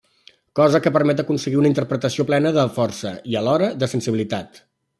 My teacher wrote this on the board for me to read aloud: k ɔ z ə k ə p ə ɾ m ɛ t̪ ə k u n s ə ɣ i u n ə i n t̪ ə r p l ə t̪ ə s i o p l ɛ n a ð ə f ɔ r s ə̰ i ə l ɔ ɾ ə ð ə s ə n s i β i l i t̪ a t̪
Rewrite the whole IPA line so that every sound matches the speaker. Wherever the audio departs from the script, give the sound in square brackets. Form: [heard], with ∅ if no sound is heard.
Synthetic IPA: k ɔ z ə k ə p ə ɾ m ɛ t̪ ə k u n s ə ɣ i u n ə i n t̪ ə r p [ɾ] ə t̪ ə s i o p l ɛ n [ə] ð ə f ɔ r s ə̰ i ə l ɔ ɾ ə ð ə s ə n s i β i l i t̪ a t̪